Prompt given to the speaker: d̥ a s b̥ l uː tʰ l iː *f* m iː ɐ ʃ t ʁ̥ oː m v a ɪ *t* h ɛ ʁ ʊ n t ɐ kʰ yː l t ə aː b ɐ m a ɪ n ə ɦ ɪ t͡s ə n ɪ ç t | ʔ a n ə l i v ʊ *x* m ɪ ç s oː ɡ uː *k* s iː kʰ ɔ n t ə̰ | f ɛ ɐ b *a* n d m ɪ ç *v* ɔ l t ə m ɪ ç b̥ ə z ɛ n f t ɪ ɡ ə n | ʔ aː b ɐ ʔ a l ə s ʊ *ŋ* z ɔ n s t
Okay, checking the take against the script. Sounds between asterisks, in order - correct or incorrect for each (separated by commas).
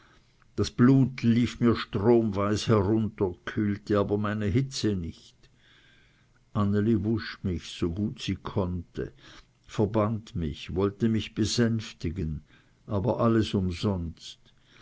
correct, incorrect, incorrect, incorrect, correct, correct, incorrect